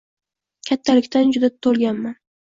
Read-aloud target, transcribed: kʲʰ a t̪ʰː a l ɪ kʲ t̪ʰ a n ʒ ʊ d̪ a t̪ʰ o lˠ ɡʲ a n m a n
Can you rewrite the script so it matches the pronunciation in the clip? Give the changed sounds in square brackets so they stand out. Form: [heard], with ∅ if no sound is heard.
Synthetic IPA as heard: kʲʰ a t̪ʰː a l ɪ kʲ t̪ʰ a n [d͡ʒ] ʊ d̪ a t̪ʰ o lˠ ɡʲ a n m a n

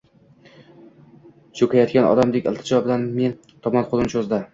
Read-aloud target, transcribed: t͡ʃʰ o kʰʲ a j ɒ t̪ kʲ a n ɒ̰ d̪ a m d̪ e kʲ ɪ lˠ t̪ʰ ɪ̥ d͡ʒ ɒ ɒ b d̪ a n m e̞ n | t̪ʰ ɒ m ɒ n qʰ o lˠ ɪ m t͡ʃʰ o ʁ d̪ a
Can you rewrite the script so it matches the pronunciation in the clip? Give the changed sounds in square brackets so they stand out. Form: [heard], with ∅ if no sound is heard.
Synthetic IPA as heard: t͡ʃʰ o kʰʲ a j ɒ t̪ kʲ a n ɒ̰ d̪ a m d̪ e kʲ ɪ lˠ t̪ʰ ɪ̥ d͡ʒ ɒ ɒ b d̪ a n m e̞ n | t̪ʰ ɒ m ɒ n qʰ o lˠ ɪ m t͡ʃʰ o [z] d̪ a

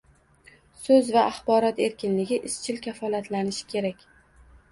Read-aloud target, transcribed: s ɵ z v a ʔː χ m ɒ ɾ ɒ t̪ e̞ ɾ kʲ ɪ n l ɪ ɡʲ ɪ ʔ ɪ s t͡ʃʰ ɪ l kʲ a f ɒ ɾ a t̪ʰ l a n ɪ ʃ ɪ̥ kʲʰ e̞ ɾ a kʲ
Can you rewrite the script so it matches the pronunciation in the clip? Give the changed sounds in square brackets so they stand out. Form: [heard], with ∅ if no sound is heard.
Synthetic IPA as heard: s ɵ z v a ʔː χ [b] ɒ ɾ ɒ t̪ e̞ ɾ kʲ ɪ n l ɪ ɡʲ ɪ ʔ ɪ s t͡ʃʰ ɪ l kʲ a f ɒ [l] a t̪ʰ l a n ɪ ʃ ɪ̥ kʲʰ e̞ ɾ a kʲ

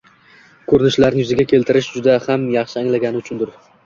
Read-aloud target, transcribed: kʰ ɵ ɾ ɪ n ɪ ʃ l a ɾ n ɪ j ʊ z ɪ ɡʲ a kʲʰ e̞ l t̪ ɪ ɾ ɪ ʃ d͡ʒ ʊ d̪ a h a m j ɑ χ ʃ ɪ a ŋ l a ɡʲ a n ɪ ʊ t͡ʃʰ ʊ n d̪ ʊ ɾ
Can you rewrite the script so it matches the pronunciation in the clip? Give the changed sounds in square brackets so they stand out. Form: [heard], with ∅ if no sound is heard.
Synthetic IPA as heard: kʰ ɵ ɾ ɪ n ɪ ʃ l a ɾ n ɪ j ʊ z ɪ ɡʲ a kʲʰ e̞ l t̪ ɪ ɾ ɪ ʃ d͡ʒ ʊ d̪ a h a m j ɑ χ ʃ ɪ a ŋ l a ɡʲ a n ɪ ʊ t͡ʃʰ ʊ n d̪ ʊ ɾ

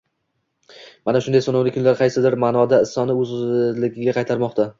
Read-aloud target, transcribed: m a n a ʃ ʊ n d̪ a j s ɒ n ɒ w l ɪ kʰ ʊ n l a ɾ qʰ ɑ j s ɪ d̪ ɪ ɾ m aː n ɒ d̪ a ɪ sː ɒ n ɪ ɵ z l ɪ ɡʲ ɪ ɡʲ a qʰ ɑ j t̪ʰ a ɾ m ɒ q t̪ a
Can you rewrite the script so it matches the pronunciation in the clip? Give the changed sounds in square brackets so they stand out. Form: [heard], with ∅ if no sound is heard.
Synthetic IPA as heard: m a n a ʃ ʊ n d̪ a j s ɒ n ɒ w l ɪ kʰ ʊ n l a ɾ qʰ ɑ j s ɪ d̪ ɪ ɾ m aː n ɒ d̪ a ɪ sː ɒ n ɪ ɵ z l ɪ ɡʲ ɪ ɡʲ a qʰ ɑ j t̪ʰ a ɾ m ɒ q t̪ a

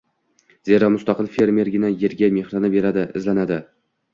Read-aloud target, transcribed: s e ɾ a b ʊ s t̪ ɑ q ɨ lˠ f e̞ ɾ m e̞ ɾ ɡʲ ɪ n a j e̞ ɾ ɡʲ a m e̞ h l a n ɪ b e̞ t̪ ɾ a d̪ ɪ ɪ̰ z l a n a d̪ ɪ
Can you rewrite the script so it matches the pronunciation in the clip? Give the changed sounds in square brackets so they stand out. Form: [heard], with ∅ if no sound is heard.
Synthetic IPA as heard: [z] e ɾ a [m] ʊ s t̪ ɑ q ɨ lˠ f e̞ ɾ m e̞ ɾ ɡʲ ɪ n a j e̞ ɾ ɡʲ a m e̞ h [ɾ] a n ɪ b e̞ [∅] ɾ a d̪ ɪ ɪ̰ z l a n a d̪ ɪ

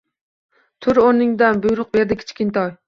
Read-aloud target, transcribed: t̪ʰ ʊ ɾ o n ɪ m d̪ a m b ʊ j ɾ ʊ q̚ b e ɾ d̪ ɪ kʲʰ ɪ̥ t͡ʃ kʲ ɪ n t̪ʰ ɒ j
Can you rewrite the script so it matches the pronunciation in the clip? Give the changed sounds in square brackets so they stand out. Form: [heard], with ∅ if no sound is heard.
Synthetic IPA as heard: t̪ʰ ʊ ɾ o n ɪ [ŋ] d̪ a [n] b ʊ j ɾ ʊ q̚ b e ɾ d̪ ɪ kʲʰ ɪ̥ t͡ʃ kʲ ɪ n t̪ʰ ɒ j

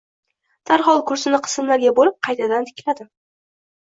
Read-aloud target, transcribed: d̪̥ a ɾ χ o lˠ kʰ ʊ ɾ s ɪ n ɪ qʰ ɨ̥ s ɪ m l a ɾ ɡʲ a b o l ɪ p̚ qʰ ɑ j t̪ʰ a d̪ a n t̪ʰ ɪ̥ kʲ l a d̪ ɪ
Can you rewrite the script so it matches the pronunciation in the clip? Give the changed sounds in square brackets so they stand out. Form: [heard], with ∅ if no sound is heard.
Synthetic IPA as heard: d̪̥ a ɾ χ [ɒ] lˠ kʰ ʊ ɾ s ɪ n ɪ qʰ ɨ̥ s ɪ m l a ɾ ɡʲ a b o l ɪ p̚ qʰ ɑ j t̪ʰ a d̪ a n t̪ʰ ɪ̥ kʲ l a d̪ ɪ

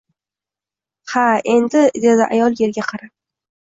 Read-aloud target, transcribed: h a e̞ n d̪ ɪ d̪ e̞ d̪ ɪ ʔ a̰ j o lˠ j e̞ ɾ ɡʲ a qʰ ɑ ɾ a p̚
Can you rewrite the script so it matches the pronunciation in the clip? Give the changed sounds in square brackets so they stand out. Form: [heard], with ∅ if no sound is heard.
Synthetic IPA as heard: h a e̞ n d̪ ɪ d̪ e̞ d̪ ɪ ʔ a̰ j [ɒ] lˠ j e̞ ɾ ɡʲ a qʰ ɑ ɾ a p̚

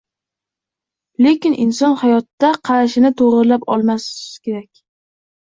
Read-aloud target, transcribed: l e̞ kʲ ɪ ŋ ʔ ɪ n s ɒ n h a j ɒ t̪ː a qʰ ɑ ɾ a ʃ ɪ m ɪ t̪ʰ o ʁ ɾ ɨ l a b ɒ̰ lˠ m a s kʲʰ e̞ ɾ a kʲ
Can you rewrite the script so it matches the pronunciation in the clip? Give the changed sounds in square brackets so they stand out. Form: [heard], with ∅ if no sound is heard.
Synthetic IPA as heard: l e̞ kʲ ɪ [n] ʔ ɪ n s ɒ n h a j ɒ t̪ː a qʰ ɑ ɾ a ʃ ɪ [n] ɪ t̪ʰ o ʁ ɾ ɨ l a [p] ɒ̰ lˠ m a s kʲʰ e̞ ɾ a kʲ

